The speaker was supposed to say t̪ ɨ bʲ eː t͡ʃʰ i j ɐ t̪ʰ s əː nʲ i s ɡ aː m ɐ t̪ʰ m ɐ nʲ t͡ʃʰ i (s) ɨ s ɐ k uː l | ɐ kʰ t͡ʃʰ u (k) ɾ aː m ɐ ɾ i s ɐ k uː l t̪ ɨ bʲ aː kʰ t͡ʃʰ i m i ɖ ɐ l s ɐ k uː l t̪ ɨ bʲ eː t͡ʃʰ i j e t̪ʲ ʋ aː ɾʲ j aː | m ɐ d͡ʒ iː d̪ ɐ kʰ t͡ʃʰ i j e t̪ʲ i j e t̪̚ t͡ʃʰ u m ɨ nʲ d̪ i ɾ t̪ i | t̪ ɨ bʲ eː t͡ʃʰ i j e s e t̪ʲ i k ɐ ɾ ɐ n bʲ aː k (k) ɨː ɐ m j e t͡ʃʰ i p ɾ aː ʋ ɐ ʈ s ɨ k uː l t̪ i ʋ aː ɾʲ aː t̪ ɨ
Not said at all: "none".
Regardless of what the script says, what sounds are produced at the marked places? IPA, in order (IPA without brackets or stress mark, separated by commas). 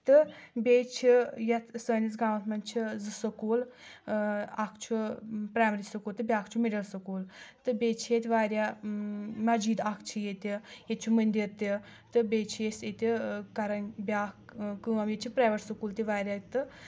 z, p, k